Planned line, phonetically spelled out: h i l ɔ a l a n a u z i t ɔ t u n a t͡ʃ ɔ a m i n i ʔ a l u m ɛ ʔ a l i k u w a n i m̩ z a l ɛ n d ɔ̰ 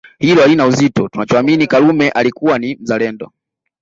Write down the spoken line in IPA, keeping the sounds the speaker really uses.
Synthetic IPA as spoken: h i l ɔ a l i n a u z i t ɔ t u n a t͡ʃ ɔ a m i n i k a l u m ɛ ʔ a l i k u w a n i m̩ z a l ɛ n d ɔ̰